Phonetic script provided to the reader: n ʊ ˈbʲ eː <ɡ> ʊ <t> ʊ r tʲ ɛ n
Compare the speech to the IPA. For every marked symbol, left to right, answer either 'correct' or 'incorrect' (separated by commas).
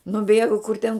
correct, incorrect